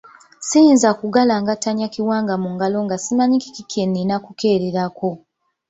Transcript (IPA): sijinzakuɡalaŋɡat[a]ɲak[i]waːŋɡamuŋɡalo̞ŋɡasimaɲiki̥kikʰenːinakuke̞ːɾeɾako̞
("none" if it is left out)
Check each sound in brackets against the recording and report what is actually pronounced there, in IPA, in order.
a, i

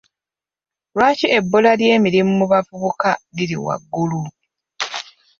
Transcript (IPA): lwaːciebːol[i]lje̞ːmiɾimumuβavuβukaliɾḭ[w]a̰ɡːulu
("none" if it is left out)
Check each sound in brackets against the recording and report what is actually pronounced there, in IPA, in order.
a, w

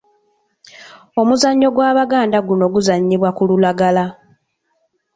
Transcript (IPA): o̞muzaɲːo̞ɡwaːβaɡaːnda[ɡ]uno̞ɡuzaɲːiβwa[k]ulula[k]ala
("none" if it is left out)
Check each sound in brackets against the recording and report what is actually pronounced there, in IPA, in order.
ɡ, k, ɡ

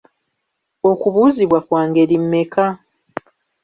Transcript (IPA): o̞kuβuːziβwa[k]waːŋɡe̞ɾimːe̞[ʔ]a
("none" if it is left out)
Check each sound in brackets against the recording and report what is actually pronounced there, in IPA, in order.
k, k

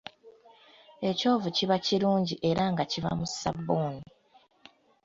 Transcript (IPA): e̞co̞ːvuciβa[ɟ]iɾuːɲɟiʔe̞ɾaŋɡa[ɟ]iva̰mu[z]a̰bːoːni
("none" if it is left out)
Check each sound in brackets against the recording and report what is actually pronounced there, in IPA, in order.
c, c, s

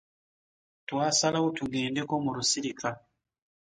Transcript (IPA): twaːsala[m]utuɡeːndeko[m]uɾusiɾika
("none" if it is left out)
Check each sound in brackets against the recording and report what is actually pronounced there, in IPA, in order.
none, m

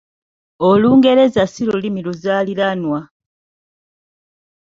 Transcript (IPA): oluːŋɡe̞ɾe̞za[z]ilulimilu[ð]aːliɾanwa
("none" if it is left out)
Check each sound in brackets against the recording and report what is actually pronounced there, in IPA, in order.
s, z

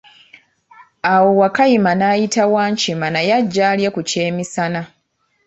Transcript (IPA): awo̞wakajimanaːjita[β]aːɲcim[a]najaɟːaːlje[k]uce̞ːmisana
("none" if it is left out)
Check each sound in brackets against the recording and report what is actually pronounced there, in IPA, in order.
w, a, k

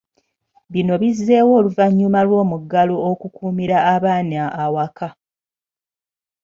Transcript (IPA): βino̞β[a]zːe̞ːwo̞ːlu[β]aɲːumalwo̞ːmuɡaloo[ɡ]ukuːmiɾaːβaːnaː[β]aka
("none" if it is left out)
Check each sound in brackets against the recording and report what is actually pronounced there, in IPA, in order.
i, v, k, w

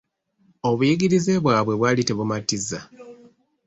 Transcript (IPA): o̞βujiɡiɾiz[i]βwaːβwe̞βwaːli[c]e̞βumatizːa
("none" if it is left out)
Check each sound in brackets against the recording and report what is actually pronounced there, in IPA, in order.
e, t

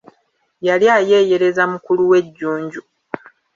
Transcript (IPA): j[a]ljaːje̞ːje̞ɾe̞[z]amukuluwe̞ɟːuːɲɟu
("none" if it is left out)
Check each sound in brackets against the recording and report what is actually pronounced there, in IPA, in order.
a, z

